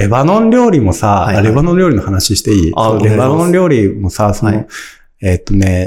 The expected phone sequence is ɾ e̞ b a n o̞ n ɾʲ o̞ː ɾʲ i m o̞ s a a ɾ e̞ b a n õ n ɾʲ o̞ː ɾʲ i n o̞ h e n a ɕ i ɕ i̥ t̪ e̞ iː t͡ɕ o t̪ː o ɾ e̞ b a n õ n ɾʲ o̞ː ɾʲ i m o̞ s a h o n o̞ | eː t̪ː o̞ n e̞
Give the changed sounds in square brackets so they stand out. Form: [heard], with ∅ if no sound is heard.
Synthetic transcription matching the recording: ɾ e̞ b a n [õ̞] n ɾʲ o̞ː ɾʲ i m o̞ s a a ɾ e̞ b a n õ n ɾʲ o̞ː ɾʲ i n o̞ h [a] n a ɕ i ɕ i̥ t̪ e̞ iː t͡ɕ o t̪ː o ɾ e̞ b a n õ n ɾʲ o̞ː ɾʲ i m o̞ s a [s] o n o̞ | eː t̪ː o̞ n e̞